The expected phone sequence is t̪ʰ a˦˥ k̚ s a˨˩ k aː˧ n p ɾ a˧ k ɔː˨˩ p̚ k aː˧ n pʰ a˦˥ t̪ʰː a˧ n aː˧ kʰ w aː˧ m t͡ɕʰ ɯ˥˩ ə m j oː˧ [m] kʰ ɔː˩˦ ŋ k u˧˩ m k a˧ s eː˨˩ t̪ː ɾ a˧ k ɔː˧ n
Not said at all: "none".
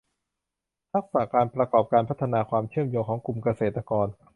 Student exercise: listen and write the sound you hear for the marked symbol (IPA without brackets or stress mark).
ŋ